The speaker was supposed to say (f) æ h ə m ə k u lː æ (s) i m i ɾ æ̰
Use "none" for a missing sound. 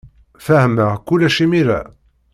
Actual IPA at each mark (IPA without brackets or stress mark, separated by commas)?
f, ʃ